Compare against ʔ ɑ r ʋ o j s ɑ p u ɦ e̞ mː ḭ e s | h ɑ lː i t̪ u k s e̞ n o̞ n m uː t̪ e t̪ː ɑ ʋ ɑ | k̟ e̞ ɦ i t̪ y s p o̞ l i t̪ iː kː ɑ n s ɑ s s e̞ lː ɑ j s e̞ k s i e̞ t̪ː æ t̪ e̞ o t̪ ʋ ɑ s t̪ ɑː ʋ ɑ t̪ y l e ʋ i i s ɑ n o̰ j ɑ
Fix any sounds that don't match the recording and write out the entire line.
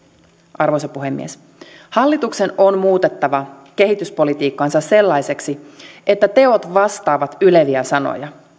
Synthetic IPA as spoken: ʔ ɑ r ʋ o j s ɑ p u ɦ e̞ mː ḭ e s | h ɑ lː i t̪ u k s e̞ n o̞ n m uː t̪ e t̪ː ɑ ʋ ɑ | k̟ e̞ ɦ i t̪ y s p o̞ l i t̪ iː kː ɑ n s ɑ s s e̞ lː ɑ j s e̞ k s i e̞ t̪ː æ t̪ e̞ o t̪ ʋ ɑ s t̪ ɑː ʋ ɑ t̪ y l e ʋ i æ s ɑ n o̰ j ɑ